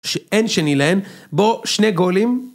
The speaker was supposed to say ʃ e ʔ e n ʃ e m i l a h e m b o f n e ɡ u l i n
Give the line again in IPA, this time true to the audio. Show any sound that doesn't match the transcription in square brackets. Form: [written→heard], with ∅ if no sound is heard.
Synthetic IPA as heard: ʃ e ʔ e n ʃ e [m→n] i l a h e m b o [f→ʃ] n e ɡ [u→o] l i [n→m]